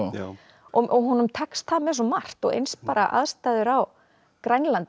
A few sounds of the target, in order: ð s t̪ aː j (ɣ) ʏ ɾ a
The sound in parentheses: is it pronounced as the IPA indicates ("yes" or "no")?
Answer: no